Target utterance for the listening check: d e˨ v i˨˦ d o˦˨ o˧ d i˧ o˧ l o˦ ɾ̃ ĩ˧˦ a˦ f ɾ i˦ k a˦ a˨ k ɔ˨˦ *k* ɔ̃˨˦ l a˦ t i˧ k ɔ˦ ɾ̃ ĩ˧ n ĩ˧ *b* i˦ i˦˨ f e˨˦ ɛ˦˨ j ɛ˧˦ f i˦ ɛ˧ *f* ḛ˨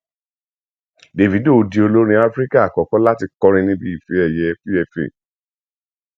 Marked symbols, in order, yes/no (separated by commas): yes, yes, yes